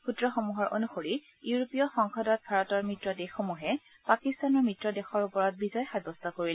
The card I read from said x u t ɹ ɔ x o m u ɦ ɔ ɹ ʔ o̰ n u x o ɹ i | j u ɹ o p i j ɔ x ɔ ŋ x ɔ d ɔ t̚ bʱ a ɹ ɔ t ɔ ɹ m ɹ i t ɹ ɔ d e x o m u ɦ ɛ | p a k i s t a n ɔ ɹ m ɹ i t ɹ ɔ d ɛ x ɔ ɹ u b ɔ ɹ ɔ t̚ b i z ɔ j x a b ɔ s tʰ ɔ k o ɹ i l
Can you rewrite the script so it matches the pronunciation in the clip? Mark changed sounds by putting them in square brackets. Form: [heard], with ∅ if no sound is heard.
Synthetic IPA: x u t ɹ ɔ x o m u ɦ ɔ ɹ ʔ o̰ n u x o ɹ i | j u ɹ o p i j ɔ x ɔ ŋ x ɔ d ɔ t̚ bʱ a ɹ ɔ t ɔ ɹ m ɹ i t ɹ ɔ d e x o m u ɦ ɛ | p a k i s t a n ɔ ɹ m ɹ i t ɹ ɔ d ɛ x ɔ ɹ u [p] ɔ ɹ ɔ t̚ b i z ɔ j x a b ɔ s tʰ ɔ k o ɹ i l

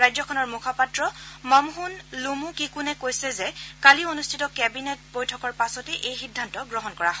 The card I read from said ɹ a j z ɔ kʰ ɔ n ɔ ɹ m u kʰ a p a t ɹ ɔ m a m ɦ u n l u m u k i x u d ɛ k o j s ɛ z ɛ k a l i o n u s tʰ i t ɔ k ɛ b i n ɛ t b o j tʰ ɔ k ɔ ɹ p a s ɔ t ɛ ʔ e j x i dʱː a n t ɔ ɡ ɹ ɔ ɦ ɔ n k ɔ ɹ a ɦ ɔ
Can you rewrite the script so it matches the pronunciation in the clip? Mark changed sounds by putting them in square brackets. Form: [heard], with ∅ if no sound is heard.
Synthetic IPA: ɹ a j z ɔ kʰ ɔ n ɔ ɹ m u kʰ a p a t ɹ ɔ m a m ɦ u n l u m u k i [k] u [n] ɛ k o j s ɛ z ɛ k a l i o n u s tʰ i t ɔ k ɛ b i n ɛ t b o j tʰ ɔ k ɔ ɹ p a s ɔ t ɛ ʔ e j x i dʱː a n t ɔ ɡ ɹ ɔ ɦ ɔ n k ɔ ɹ a ɦ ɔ

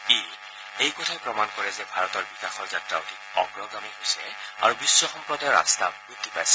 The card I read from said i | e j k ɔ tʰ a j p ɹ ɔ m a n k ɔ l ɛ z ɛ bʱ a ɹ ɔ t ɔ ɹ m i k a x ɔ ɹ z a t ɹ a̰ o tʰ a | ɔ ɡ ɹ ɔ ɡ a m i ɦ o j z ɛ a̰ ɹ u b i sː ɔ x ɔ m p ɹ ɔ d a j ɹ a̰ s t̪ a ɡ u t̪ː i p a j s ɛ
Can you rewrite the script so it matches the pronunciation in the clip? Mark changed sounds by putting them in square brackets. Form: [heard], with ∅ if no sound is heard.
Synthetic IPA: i | e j k ɔ tʰ a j p ɹ ɔ m a n k ɔ [ɹ] ɛ z ɛ bʱ a ɹ ɔ t ɔ ɹ [b] i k a x ɔ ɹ z a t ɹ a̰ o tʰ [i] | ɔ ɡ ɹ ɔ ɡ a m i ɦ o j [s] ɛ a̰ ɹ u b i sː ɔ x ɔ m p ɹ ɔ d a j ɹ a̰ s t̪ a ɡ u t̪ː i p a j s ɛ

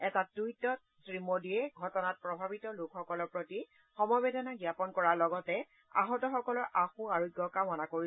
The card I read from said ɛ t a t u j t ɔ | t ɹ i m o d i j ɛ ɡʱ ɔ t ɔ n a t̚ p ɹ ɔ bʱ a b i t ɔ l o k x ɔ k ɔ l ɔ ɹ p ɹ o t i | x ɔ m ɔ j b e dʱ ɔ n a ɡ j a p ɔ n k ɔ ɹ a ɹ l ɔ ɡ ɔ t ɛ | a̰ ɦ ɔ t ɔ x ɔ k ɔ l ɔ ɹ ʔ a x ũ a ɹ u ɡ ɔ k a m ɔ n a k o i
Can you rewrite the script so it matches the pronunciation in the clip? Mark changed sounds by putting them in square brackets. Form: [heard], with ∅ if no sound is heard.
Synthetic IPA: ɛ t a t u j t ɔ | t ɹ i m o d i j ɛ ɡʱ ɔ t ɔ n a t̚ p ɹ ɔ bʱ a b i t ɔ l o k x ɔ k ɔ l ɔ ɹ p ɹ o t i | x ɔ m ɔ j b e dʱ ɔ n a ɡ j a p ɔ n k ɔ ɹ a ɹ l ɔ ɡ ɔ t ɛ | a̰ ɦ ɔ t ɔ x ɔ k ɔ l ɔ ɹ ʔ a x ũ a ɹ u ɡ ɔ k a m ɔ n a k o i

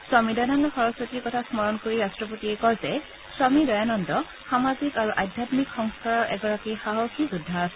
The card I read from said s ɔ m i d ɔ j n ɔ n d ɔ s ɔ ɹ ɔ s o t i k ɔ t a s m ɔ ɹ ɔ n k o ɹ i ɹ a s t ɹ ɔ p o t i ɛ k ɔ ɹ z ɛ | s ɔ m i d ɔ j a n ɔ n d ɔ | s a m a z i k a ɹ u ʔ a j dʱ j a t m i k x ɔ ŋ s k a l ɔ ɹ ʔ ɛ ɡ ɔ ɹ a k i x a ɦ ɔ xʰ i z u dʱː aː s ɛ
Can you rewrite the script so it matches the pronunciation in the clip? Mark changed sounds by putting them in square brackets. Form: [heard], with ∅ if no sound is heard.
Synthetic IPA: s ɔ m i d ɔ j n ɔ n d ɔ [x] ɔ ɹ ɔ s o t i k ɔ [tʰ] a s m ɔ ɹ ɔ n k o ɹ i ɹ a s t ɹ ɔ p o t i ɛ k ɔ ɹ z ɛ | s ɔ m i d ɔ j a n ɔ n d ɔ | [x] a m a z i k a ɹ u ʔ a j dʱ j a t m i k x ɔ ŋ s k a [ɹ] ɔ ɹ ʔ ɛ ɡ ɔ ɹ a k i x a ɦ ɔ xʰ i z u dʱː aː s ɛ

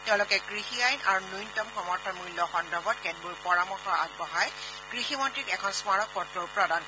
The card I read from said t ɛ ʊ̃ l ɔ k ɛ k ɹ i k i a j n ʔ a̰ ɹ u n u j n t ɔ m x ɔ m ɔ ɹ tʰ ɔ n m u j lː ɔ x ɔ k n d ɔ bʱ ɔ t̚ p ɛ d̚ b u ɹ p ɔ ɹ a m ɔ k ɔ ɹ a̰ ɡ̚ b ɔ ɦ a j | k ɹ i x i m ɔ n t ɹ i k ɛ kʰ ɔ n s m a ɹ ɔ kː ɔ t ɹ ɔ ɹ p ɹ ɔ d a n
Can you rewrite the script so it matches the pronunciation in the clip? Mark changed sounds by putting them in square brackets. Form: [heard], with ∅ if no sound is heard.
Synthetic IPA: t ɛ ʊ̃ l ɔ k ɛ k ɹ i [x] i a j n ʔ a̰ ɹ u n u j n t ɔ m x ɔ m ɔ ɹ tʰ ɔ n m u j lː ɔ x ɔ [∅] n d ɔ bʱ ɔ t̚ [k] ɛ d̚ b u ɹ p ɔ ɹ a m ɔ [x] ɔ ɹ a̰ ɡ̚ b ɔ ɦ a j | k ɹ i x i m ɔ n t ɹ i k ɛ kʰ ɔ n s m a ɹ ɔ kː ɔ t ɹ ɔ ɹ p ɹ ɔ d a n

